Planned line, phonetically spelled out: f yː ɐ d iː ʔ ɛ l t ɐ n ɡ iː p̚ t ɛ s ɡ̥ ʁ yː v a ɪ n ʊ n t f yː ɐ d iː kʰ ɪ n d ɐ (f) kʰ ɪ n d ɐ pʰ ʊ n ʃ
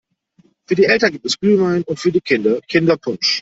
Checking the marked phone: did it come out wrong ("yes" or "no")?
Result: yes